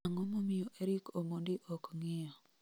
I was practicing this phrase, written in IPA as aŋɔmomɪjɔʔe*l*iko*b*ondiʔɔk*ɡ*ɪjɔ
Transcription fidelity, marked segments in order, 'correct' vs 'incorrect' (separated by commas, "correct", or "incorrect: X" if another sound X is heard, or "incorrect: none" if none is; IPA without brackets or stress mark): incorrect: ɾ, incorrect: m, incorrect: ŋ